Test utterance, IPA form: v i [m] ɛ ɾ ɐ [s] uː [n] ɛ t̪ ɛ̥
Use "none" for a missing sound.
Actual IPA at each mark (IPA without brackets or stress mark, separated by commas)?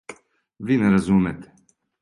n, z, m